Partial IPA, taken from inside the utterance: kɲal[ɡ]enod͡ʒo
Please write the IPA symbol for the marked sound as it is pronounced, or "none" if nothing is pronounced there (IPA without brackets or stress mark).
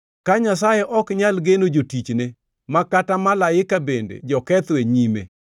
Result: ɡ